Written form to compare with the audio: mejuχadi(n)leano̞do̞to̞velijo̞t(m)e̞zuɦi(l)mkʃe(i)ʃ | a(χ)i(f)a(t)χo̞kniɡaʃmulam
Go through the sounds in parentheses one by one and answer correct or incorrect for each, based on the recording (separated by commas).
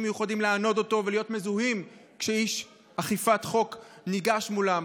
incorrect, correct, incorrect, correct, correct, correct, correct